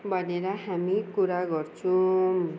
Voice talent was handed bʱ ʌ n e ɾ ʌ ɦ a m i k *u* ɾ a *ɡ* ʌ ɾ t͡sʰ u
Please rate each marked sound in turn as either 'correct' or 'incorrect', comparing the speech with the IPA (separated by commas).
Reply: correct, correct